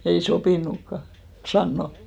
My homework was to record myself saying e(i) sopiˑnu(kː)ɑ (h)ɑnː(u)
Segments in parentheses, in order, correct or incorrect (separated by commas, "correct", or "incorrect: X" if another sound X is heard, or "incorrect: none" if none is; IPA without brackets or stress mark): correct, correct, incorrect: s, incorrect: o